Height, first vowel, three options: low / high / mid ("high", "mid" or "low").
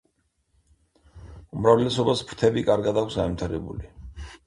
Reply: high